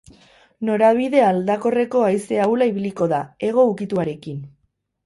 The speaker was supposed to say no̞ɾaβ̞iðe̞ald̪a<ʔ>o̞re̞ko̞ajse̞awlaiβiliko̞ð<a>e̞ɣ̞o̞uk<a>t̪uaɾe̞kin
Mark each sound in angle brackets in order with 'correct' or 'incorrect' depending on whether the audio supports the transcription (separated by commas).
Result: incorrect, correct, incorrect